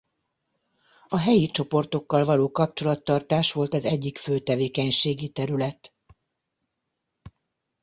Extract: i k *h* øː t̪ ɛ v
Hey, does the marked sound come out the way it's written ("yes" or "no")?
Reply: no